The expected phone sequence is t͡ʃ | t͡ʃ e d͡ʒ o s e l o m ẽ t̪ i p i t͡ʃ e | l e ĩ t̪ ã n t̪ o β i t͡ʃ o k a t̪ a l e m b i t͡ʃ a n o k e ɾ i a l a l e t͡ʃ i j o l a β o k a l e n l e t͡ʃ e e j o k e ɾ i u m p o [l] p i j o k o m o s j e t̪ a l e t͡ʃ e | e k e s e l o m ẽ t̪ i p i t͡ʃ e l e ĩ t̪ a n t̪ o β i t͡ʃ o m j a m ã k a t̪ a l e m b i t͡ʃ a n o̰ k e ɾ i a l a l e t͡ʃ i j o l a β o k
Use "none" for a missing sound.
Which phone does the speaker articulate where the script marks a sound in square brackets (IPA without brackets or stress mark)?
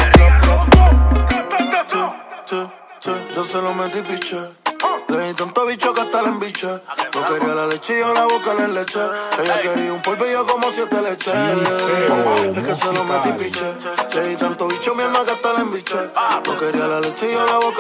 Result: l